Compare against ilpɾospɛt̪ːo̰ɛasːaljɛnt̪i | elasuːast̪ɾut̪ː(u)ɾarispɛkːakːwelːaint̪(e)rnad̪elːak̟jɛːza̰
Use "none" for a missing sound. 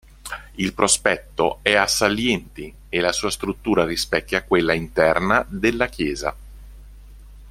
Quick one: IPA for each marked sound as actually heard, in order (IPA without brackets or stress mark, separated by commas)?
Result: uː, ɛ